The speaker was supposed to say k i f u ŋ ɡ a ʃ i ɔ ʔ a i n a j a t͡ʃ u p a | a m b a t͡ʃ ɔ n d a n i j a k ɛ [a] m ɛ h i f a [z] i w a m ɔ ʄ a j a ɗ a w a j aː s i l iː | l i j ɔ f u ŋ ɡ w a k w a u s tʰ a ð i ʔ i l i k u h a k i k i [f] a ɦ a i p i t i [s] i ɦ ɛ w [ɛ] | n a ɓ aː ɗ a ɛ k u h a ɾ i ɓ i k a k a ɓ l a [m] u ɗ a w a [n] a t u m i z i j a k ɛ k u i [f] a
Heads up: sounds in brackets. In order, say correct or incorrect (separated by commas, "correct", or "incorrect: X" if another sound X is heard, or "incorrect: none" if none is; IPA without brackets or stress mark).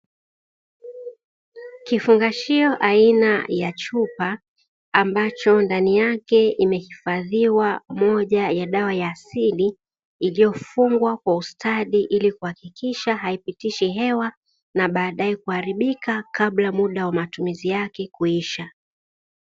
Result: incorrect: i, incorrect: ð, incorrect: ʃ, incorrect: ʃ, incorrect: a, correct, incorrect: m, incorrect: ʃ